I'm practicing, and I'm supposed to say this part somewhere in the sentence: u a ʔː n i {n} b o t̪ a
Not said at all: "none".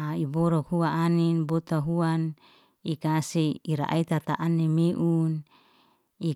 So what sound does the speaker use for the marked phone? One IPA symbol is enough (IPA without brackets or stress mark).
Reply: n